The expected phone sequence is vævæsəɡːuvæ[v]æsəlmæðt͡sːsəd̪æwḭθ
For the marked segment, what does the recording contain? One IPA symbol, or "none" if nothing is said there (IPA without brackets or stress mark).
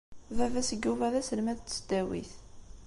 ð